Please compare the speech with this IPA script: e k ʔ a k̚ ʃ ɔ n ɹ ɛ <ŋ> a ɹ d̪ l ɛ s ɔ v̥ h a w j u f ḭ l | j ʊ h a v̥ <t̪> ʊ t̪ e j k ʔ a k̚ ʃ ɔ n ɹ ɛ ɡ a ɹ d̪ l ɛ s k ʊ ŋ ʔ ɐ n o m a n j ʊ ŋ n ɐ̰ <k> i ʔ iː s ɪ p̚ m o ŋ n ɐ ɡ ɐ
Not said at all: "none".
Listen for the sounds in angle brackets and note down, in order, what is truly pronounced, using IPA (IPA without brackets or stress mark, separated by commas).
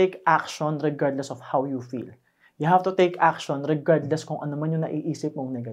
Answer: ɡ, t̪, ʔ